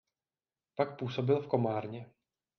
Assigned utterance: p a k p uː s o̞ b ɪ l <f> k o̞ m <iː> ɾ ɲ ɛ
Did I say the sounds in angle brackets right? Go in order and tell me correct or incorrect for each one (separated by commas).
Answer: correct, incorrect